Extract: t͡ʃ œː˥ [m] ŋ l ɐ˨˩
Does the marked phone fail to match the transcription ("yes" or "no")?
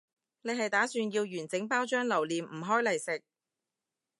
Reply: yes